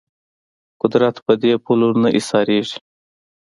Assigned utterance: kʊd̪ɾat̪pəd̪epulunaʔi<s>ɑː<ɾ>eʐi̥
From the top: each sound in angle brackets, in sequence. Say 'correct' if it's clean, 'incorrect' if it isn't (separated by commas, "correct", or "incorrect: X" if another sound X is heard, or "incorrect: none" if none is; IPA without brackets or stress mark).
correct, correct